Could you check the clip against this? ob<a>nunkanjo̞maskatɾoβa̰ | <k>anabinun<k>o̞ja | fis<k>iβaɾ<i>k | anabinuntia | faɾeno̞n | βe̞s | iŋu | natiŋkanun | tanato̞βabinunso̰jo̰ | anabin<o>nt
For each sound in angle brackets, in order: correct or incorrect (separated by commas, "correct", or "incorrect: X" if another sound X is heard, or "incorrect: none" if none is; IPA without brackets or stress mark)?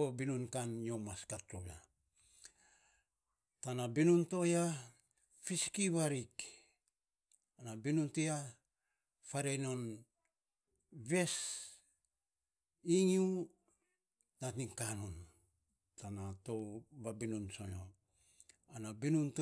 incorrect: i, incorrect: t, incorrect: t, correct, correct, incorrect: u